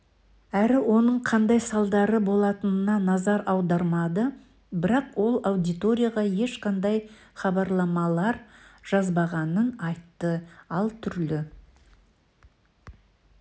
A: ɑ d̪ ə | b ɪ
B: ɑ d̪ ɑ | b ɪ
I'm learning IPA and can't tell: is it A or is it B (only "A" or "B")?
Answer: A